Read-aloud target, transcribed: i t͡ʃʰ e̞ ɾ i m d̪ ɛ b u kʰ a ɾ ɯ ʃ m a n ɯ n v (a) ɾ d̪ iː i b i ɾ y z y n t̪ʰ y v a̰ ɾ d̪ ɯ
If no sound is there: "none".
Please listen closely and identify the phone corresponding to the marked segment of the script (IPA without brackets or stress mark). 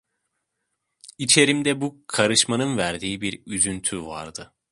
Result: æ